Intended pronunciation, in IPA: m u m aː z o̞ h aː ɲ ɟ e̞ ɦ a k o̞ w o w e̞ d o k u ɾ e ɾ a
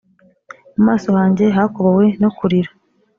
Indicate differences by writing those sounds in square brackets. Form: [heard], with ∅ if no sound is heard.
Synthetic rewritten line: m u m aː [s] o̞ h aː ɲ ɟ e̞ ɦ a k o̞ [β] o w e̞ [n] o k u ɾ [i] ɾ a